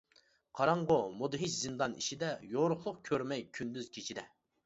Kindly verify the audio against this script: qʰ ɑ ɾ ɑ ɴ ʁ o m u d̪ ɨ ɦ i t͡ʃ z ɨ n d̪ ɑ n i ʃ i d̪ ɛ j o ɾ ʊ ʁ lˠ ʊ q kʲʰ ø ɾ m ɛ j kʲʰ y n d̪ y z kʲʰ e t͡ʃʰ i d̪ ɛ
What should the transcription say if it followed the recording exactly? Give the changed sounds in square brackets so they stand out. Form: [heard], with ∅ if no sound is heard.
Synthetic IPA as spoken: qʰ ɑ ɾ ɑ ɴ ʁ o m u d̪ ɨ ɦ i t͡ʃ z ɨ n d̪ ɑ n i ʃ i d̪ ɛ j o ɾ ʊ [χ] lˠ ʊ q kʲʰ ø ɾ m ɛ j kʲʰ y n d̪ y z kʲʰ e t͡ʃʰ i d̪ ɛ